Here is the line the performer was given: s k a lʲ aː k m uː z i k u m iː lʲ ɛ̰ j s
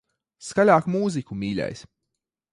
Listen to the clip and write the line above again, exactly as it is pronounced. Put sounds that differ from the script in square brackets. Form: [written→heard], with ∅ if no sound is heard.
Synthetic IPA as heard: s k a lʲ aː k m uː z i k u m iː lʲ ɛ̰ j s